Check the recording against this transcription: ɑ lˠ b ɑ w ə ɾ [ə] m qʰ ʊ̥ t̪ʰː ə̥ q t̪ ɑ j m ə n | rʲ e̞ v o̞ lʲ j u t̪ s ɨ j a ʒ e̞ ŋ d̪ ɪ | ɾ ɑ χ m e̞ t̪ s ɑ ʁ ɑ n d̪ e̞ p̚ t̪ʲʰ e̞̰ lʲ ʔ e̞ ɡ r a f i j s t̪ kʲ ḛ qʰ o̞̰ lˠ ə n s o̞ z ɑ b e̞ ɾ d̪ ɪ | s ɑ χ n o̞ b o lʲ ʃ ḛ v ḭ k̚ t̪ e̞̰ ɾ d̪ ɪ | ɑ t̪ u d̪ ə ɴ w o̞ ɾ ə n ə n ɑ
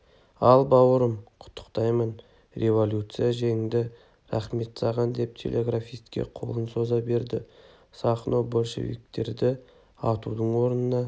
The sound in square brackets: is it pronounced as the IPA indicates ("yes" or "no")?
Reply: yes